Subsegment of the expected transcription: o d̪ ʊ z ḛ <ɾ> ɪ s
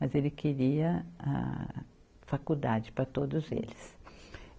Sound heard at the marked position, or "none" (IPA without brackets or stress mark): l